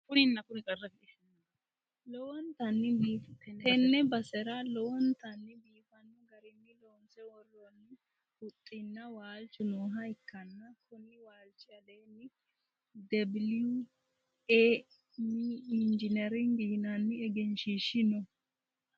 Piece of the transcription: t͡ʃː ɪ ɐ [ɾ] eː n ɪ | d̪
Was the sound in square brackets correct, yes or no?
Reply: no